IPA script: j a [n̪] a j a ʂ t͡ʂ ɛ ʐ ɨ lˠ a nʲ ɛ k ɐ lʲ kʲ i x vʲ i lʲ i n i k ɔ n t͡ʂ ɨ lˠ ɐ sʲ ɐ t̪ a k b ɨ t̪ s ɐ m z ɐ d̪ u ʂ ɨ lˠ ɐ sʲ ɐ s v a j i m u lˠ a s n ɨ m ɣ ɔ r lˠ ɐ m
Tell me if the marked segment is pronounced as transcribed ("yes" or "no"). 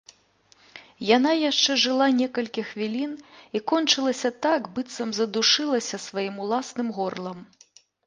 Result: yes